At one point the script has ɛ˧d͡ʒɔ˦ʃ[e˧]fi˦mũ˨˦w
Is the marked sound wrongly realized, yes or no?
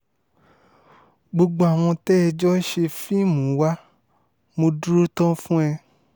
no